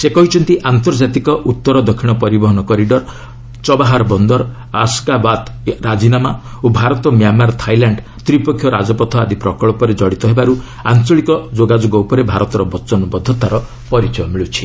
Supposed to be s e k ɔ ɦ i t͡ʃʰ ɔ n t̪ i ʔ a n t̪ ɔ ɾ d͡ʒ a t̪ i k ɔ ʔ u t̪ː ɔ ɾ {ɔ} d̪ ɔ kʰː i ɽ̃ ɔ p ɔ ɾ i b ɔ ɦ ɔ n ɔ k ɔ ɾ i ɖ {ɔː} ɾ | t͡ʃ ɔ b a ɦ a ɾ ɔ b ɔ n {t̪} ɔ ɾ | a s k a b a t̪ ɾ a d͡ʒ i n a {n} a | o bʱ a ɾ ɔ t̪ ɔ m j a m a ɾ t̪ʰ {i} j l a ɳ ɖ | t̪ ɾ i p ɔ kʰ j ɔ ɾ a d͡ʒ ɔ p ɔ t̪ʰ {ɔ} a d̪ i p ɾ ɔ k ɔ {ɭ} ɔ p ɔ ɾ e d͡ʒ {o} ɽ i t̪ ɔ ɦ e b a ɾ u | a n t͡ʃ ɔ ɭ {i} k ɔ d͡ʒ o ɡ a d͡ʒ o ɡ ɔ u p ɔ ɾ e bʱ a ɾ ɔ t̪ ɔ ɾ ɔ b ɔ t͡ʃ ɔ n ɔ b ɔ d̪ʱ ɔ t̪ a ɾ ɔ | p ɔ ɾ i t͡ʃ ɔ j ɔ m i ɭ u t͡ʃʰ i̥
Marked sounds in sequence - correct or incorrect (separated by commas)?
correct, incorrect, incorrect, incorrect, incorrect, correct, correct, incorrect, correct